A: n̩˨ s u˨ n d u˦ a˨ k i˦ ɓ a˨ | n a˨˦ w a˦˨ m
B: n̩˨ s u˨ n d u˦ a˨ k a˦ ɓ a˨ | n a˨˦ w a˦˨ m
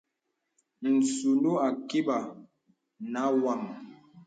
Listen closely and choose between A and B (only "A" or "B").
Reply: A